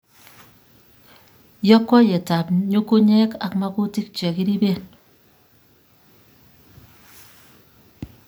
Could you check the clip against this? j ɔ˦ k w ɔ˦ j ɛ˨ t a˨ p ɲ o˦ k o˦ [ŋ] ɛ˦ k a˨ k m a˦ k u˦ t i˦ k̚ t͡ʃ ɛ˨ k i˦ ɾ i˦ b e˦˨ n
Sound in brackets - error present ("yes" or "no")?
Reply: yes